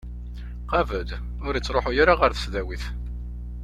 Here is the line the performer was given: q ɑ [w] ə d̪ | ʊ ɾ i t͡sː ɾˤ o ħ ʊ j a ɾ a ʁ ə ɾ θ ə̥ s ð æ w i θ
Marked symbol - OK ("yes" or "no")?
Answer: no